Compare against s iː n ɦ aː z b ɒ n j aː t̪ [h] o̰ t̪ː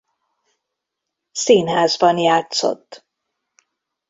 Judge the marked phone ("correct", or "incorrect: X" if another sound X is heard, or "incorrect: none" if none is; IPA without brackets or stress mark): incorrect: s